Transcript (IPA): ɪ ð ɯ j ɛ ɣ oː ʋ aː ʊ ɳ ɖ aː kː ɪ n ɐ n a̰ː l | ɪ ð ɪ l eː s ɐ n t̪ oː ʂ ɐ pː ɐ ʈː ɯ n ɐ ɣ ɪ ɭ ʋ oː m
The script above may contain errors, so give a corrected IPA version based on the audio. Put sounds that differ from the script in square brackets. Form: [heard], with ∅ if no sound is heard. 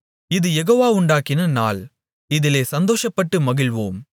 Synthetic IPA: ɪ ð ɯ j ɛ ɣ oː ʋ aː ʊ ɳ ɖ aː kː ɪ n ɐ n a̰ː l | ɪ ð ɪ l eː s ɐ n [d̪] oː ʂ ɐ pː ɐ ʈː ɯ [m] ɐ ɣ ɪ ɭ ʋ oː m